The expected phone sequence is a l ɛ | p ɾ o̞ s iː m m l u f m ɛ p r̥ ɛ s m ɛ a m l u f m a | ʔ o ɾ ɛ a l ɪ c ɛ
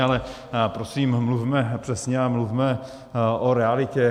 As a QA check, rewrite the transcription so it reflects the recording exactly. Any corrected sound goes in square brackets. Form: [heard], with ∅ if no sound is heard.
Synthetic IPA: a l ɛ | p ɾ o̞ s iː m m l u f m ɛ p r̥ ɛ s [ɲ] ɛ a m l u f m [ɛ] | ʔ o ɾ ɛ a l ɪ c ɛ

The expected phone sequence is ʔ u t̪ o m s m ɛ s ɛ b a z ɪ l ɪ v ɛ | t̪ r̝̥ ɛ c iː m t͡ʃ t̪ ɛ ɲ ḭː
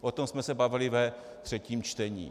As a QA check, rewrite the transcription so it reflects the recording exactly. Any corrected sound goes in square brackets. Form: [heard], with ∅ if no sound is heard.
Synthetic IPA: ʔ [o] t̪ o m s m ɛ s ɛ b a [v] ɪ l ɪ v ɛ | t̪ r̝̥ ɛ c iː m t͡ʃ t̪ ɛ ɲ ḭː

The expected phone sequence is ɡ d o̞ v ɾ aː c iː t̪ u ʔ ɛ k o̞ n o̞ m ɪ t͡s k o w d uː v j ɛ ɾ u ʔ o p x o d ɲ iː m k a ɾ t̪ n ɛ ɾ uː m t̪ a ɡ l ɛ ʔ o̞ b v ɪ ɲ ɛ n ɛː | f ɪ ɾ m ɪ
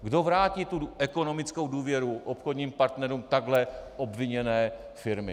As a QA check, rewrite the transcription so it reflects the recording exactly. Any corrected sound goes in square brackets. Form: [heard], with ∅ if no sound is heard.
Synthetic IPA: ɡ d o̞ v ɾ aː c iː t̪ u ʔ ɛ k o̞ n o̞ m ɪ t͡s k o w d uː v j ɛ ɾ u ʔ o p x o d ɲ iː m [p] a ɾ t̪ n ɛ ɾ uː m t̪ a ɡ l ɛ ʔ o̞ b v ɪ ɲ ɛ n ɛː | f ɪ ɾ m ɪ

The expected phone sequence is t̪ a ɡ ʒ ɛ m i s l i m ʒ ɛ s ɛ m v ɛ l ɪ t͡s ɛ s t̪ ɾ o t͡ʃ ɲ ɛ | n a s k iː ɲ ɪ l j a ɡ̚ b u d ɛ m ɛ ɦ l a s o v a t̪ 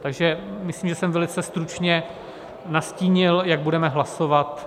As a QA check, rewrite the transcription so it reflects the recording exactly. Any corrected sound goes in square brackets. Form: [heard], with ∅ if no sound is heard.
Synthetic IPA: t̪ a ɡ ʒ ɛ m [ɪ] s l i m ʒ ɛ s ɛ m v ɛ l ɪ t͡s ɛ s t̪ ɾ [u] t͡ʃ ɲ ɛ | n a s [c] iː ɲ ɪ l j a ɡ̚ b u d ɛ m ɛ ɦ l a s o v a t̪

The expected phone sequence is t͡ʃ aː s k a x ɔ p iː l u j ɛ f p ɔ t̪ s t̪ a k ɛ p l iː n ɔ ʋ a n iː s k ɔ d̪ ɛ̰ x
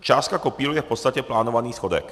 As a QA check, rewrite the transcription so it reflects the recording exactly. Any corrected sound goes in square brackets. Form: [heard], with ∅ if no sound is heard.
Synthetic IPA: t͡ʃ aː s k a [k] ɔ p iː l u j ɛ f p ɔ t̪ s t̪ a [c] ɛ p l [aː] n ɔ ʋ a n iː s [x] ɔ d̪ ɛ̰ [k]

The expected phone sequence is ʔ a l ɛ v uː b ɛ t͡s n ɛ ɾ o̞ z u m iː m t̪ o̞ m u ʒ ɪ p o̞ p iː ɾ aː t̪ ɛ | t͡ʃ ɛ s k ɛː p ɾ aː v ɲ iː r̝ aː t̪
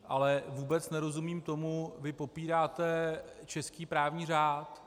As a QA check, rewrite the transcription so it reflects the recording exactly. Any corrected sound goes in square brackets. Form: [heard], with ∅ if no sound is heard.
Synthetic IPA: ʔ a l ɛ v uː b ɛ t͡s n ɛ ɾ o̞ z u m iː m t̪ o̞ m u [v] ɪ p o̞ p iː ɾ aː t̪ ɛ | t͡ʃ ɛ s k [iː] p ɾ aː v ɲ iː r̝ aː t̪

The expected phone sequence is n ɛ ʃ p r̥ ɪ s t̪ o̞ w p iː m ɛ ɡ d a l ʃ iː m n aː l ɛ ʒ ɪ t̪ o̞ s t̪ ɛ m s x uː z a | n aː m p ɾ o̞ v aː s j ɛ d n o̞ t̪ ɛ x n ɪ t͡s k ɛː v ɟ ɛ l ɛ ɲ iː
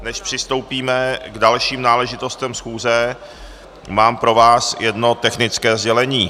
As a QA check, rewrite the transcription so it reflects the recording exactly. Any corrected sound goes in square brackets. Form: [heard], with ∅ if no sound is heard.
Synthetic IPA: n ɛ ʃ p r̥ ɪ s t̪ o̞ w p iː m ɛ ɡ d a l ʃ iː m n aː l ɛ ʒ ɪ t̪ o̞ s t̪ ɛ m s x uː z [ɛ] | [m] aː m p ɾ o̞ v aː s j ɛ d n o̞ t̪ ɛ x n ɪ t͡s k ɛː [z] ɟ ɛ l ɛ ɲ iː

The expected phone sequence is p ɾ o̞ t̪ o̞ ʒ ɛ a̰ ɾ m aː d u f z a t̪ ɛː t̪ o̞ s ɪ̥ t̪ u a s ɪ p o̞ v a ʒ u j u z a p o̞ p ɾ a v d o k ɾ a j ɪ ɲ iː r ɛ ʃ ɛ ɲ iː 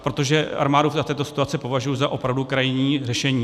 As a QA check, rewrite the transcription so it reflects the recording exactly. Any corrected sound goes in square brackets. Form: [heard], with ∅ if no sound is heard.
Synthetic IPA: p ɾ o̞ t̪ o̞ ʒ ɛ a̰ ɾ m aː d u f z a t̪ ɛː t̪ o̞ s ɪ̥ t̪ u a [t͡s] ɪ p o̞ v a ʒ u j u z a [ʔ] o̞ p ɾ a v d [u] k ɾ a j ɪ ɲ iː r ɛ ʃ ɛ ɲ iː

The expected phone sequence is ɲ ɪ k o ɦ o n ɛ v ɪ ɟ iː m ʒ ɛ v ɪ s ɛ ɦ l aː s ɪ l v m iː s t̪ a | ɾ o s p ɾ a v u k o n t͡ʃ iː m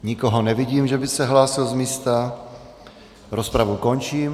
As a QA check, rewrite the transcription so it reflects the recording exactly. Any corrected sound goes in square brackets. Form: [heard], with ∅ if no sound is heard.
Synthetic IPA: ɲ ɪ k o ɦ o n ɛ v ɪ ɟ iː m ʒ ɛ [b] ɪ s ɛ ɦ l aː s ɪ l [z] m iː s t̪ a | ɾ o s p ɾ a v u k o n t͡ʃ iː m

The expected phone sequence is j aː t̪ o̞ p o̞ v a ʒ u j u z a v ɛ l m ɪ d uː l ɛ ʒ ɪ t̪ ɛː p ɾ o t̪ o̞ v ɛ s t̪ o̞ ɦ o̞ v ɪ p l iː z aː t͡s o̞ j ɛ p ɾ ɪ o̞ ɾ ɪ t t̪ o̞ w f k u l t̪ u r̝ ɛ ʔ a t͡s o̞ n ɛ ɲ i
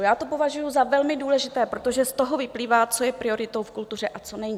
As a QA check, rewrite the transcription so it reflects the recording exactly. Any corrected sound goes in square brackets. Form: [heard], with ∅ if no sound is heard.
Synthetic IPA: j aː t̪ o̞ p o̞ v a ʒ u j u z a v ɛ l m ɪ d uː l ɛ ʒ ɪ t̪ ɛː p ɾ o t̪ o̞ [ʒ] ɛ s t̪ o̞ ɦ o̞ v ɪ p l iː [v] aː t͡s o̞ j ɛ p ɾ ɪ o̞ ɾ ɪ t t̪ o̞ w f k u l t̪ u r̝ ɛ ʔ a t͡s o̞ n ɛ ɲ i

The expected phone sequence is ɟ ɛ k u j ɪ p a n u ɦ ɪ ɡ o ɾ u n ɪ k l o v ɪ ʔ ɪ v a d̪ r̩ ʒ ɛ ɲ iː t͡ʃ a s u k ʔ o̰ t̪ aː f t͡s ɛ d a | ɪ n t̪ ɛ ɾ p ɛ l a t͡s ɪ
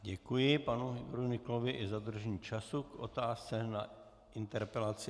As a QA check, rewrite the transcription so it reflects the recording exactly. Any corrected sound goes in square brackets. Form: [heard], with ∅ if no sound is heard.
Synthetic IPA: ɟ ɛ k u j ɪ p a n u ɦ ɪ ɡ o ɾ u n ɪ k l o v ɪ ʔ ɪ [z] a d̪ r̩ ʒ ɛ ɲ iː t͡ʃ a s u k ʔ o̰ t̪ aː [s] t͡s ɛ [n] a | ɪ n t̪ ɛ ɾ p ɛ l a t͡s ɪ

